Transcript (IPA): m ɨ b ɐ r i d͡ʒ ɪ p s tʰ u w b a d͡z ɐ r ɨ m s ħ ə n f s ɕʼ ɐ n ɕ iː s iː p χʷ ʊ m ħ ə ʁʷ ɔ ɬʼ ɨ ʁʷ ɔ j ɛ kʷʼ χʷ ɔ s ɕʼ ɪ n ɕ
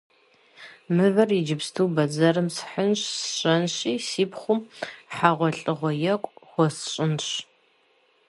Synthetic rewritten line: m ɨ v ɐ r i d͡ʒ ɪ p s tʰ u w b ɐ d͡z ɐ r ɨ m s ħ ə n ɕ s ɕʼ ɐ n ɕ iː s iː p χʷ ʊ m ħ a ʁʷ ɔ ɬʼ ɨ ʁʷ ɔ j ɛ kʷʼ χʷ ɔ s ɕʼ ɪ n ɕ